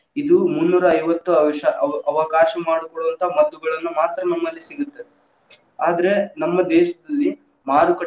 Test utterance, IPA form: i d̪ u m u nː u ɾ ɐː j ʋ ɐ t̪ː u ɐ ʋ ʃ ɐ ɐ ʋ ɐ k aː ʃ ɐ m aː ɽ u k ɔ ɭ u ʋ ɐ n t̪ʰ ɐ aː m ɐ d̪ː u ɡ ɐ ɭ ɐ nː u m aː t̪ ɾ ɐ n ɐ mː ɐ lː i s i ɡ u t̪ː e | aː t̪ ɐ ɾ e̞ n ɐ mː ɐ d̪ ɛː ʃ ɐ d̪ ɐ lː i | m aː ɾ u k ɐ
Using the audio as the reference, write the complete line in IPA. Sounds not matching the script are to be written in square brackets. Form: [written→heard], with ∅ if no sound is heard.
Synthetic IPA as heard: i d̪ u m u nː [u→uː] ɾ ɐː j ʋ ɐ t̪ː u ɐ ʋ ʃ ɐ ɐ ʋ ɐ k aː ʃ ɐ m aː ɽ u k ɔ ɭ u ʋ ɐ n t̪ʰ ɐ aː m ɐ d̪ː u ɡ ɐ ɭ ɐ nː u m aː t̪ ɾ ɐ n ɐ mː ɐ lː i s i ɡ u t̪ː e | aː [t̪→d̪] ɐ ɾ e̞ n ɐ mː ɐ d̪ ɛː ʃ ɐ d̪ ɐ lː i | m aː ɾ u k ɐ